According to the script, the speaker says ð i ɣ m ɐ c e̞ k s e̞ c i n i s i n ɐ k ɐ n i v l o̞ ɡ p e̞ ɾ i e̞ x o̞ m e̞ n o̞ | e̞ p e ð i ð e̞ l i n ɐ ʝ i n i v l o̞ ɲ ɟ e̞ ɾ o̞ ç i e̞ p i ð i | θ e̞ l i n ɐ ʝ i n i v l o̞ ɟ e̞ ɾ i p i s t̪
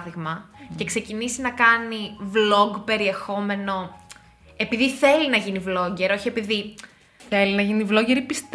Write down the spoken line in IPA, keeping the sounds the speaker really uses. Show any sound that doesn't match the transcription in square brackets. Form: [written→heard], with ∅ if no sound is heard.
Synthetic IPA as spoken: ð i ɣ m ɐ c e̞ k s e̞ c i n i s i n ɐ k ɐ n i v l o̞ ɡ p e̞ ɾ i e̞ x o̞ m e̞ n o̞ | e̞ p [e→i] ð i [ð→θ] e̞ l i n ɐ ʝ i n i v l o̞ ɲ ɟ e̞ ɾ o̞ ç i e̞ p i ð i | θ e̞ l i n ɐ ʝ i n i v l o̞ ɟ e̞ ɾ i p i s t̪